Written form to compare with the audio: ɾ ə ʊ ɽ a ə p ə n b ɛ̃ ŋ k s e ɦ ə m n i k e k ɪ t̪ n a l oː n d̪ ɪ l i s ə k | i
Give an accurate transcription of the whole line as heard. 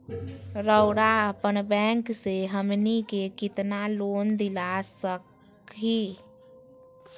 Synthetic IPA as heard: ɾ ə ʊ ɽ a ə p ə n b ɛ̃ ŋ k s e ɦ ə m n i k e k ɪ t̪ n a l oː n d̪ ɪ l a s ə k | i